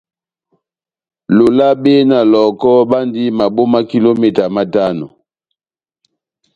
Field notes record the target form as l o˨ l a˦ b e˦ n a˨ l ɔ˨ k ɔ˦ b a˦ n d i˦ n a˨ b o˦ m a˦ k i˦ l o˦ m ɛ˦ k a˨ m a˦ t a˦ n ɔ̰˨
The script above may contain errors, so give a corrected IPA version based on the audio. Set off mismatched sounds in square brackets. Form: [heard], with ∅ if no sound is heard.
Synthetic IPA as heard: l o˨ l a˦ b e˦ n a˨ l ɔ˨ k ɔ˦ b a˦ n d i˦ [m] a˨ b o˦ m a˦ k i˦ l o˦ m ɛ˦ [t] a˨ m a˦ t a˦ n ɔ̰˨